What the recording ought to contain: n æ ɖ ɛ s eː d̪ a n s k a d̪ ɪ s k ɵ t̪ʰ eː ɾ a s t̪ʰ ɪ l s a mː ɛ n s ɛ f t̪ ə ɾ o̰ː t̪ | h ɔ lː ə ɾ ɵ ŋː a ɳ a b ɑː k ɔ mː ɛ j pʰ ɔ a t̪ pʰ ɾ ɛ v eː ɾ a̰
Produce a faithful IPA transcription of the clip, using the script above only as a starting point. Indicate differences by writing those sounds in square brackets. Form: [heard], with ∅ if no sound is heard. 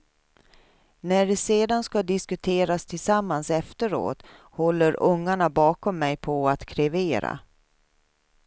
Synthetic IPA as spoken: n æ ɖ ɛ s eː d̪ a n s k a d̪ ɪ s k ɵ t̪ʰ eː ɾ a s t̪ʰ ɪ l s a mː [a] n s ɛ f t̪ ə ɾ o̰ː t̪ | h ɔ lː ə ɾ ɵ ŋː a ɳ a b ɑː k ɔ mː ɛ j pʰ ɔ a t̪ [kʰ] ɾ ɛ v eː ɾ a̰